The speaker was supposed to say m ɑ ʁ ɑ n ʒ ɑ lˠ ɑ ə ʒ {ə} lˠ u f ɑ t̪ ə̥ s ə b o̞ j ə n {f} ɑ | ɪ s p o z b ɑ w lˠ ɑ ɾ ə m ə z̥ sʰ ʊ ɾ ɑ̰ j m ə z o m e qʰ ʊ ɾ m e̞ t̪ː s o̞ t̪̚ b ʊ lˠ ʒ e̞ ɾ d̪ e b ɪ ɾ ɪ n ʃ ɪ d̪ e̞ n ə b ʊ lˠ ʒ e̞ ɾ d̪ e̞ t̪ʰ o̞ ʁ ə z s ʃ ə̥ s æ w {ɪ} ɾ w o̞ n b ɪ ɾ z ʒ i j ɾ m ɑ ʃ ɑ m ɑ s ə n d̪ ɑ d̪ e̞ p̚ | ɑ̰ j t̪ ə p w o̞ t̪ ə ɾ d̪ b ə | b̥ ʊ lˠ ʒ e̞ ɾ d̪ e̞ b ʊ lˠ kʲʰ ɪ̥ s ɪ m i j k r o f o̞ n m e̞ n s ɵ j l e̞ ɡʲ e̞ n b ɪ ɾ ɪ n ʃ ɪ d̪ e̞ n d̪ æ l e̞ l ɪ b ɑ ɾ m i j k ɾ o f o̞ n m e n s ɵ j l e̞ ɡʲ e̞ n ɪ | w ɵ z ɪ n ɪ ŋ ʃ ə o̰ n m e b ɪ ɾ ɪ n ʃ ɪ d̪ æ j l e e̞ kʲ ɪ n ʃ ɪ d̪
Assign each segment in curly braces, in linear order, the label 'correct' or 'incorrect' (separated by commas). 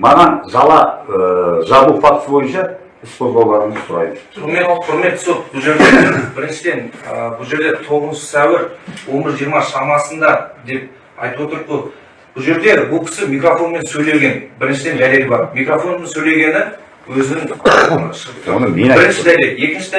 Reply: incorrect, incorrect, correct